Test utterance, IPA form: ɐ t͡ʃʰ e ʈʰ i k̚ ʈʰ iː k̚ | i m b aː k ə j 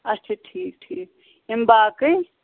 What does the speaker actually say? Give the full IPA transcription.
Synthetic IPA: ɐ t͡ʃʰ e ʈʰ iː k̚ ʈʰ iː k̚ | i m b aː k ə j